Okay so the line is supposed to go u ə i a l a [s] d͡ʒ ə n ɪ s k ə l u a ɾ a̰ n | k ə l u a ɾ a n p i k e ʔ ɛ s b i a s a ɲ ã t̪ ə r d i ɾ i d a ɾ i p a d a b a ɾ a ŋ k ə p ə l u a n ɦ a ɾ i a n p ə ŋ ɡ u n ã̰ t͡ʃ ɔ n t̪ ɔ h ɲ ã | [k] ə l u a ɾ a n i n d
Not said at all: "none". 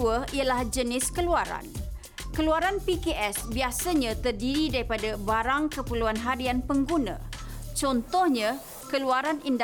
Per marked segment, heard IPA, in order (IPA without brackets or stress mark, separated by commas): h, k